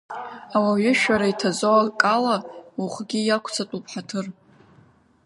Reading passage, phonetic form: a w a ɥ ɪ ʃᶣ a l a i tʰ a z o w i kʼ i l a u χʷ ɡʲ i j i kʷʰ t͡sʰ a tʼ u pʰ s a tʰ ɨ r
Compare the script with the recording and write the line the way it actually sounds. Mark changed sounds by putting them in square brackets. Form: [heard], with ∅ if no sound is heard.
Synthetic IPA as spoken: a w a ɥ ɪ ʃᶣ a [ɾ] a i tʰ a z o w [a] kʼ [a] l a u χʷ ɡʲ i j [a] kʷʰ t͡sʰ a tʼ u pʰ [ħ] a tʰ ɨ r